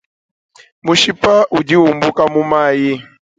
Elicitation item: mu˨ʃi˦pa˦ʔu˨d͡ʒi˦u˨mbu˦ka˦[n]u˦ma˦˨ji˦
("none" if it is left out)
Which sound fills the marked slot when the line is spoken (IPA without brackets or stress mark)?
m